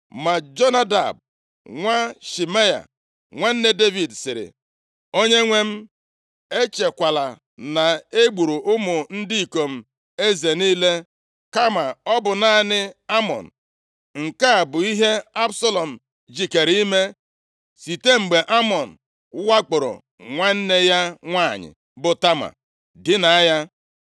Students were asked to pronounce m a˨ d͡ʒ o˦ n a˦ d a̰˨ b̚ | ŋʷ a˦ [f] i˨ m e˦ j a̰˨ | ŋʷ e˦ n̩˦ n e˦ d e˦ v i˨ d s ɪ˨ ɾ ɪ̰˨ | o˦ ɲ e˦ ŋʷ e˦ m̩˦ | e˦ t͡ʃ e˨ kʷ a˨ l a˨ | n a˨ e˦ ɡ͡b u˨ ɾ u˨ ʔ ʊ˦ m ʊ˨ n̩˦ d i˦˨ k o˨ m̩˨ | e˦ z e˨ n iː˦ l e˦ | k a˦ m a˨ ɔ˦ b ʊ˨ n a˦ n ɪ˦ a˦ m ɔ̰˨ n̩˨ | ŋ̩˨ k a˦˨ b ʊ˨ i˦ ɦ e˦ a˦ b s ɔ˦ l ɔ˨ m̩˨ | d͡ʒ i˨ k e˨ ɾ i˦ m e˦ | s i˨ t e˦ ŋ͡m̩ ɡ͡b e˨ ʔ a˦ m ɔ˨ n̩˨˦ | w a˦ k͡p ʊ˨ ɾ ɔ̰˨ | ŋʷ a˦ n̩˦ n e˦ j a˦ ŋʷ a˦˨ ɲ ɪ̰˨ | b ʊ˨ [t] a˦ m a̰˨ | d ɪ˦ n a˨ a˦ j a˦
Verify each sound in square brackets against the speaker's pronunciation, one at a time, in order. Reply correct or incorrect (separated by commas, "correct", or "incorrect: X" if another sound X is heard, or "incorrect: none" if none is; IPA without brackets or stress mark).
incorrect: ʃ, correct